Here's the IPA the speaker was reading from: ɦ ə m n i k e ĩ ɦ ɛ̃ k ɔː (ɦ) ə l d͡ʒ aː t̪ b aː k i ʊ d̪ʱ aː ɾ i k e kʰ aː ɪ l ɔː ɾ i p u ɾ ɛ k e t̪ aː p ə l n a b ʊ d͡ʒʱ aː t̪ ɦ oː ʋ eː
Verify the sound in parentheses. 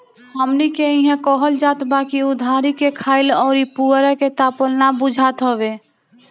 correct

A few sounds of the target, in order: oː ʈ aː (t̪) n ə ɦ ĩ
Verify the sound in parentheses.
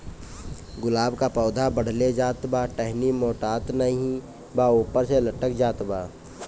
correct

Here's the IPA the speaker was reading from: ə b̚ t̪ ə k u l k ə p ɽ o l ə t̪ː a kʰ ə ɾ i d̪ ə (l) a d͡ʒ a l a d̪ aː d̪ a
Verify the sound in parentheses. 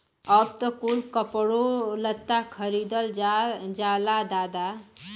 correct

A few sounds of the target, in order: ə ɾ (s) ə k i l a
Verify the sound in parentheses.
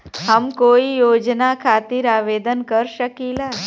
incorrect: ʃ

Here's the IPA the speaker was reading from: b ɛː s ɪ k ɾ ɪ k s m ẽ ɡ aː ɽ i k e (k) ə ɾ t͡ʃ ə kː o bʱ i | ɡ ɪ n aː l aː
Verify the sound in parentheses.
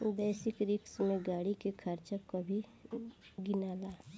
incorrect: kʰ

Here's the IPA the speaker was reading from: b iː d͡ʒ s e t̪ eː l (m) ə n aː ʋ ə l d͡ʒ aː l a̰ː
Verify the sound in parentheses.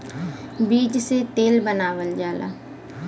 incorrect: b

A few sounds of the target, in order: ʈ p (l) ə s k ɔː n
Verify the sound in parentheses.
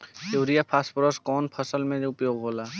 incorrect: ɾ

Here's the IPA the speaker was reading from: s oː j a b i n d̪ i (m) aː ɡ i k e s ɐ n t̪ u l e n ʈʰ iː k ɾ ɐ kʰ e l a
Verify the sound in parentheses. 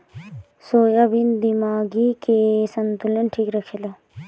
correct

